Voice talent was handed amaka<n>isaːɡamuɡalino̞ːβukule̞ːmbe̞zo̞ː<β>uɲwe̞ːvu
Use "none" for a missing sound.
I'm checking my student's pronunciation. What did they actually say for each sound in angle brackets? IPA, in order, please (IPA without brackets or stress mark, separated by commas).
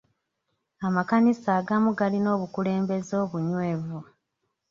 n, β